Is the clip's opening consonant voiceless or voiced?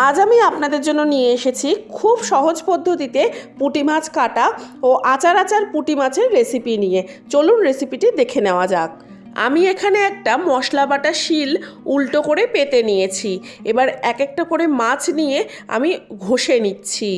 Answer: voiced